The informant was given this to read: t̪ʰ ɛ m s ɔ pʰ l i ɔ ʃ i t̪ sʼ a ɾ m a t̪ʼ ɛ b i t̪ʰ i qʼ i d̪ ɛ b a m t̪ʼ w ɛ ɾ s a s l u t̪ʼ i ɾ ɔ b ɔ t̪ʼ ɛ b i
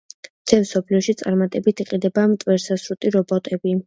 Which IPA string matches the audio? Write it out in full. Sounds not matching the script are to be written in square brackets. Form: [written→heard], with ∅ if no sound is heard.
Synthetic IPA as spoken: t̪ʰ ɛ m s ɔ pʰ l i ɔ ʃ i t̪ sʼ a ɾ m a t̪ʼ ɛ b i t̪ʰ i qʼ i d̪ ɛ b a m t̪ʼ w ɛ ɾ s a s [l→ɾ] u t̪ʼ i ɾ ɔ b ɔ t̪ʼ ɛ b i